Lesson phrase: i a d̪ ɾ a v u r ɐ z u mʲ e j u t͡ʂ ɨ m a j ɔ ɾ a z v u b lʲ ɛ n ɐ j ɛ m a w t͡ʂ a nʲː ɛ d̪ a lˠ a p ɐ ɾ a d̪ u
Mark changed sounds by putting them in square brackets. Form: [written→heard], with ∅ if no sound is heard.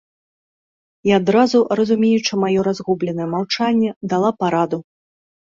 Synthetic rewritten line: i a d̪ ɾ a [v→z] u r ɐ z u mʲ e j u t͡ʂ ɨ m a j ɔ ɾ a z [v→ɣ] u b lʲ ɛ n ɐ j ɛ m a w t͡ʂ a nʲː ɛ d̪ a lˠ a p [ɐ→a] ɾ a d̪ u

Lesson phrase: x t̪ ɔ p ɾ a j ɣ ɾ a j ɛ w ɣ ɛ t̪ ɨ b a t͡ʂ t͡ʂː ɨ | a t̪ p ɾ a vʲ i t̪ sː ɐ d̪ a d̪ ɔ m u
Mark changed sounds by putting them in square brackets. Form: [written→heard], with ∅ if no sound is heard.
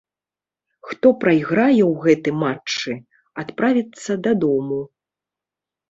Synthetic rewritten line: x t̪ ɔ p ɾ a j ɣ ɾ a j ɛ w ɣ ɛ t̪ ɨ [b→m] a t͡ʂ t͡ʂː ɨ | a t̪ p ɾ a vʲ i t̪ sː ɐ d̪ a d̪ ɔ m u

